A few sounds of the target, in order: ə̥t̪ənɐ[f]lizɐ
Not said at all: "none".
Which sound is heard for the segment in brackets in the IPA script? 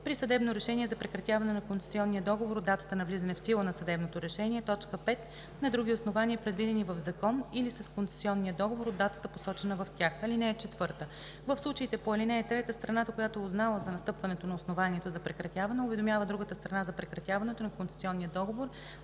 v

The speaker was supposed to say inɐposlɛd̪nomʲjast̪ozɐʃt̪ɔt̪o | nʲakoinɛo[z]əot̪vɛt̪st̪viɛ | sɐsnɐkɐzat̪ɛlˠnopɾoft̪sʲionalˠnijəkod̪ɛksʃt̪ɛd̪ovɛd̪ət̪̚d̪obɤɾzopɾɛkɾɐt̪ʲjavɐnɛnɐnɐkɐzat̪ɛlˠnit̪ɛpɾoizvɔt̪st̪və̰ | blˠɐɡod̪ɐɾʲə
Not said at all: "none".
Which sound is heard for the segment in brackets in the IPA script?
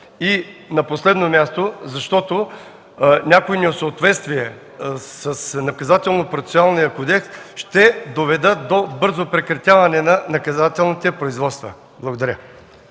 s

